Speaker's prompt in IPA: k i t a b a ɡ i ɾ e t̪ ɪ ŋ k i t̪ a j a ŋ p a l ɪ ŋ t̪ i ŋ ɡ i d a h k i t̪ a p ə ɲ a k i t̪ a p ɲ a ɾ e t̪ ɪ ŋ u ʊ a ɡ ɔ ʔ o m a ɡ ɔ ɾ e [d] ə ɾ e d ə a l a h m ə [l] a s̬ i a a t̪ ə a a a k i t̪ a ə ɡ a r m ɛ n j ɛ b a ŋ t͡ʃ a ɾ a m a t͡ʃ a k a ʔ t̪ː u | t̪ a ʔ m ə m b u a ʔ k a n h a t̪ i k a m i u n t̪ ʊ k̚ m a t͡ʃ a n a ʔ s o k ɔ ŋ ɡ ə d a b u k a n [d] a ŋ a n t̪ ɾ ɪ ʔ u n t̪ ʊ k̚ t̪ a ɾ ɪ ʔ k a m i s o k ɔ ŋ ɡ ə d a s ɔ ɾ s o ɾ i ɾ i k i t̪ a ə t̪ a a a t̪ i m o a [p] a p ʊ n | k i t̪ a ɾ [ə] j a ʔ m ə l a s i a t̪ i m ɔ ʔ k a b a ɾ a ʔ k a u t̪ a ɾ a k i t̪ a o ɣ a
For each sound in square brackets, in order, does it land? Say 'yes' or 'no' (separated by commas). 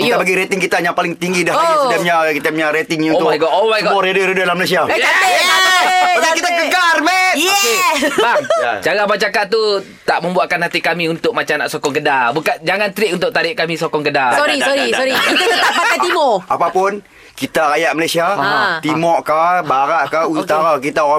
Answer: yes, yes, no, yes, no